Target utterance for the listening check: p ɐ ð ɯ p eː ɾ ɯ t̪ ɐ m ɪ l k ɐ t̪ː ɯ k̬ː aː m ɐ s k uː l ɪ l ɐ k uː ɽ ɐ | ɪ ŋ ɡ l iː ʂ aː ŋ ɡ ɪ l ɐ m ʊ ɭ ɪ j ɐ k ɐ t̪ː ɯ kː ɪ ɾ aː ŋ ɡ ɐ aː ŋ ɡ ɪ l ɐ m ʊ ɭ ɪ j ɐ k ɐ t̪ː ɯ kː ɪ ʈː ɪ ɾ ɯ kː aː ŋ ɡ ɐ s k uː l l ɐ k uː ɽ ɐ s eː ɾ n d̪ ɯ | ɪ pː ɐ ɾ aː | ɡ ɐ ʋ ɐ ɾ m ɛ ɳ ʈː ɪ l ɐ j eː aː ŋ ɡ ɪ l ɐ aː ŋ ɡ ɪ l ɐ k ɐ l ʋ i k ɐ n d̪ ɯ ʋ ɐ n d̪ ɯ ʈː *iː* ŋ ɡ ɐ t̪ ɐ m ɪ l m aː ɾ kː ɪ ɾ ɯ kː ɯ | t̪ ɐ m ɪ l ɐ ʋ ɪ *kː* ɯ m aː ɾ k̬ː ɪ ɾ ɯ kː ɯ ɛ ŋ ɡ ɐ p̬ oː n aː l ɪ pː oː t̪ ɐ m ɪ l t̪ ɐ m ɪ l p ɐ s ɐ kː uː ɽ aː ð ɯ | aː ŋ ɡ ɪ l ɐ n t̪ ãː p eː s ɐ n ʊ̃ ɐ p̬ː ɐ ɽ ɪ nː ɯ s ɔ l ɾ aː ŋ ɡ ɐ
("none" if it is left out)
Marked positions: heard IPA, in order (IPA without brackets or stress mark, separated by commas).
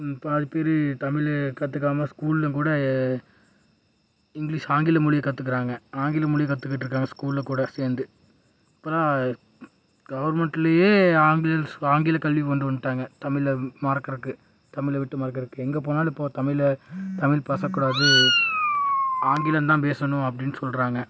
aː, ʈː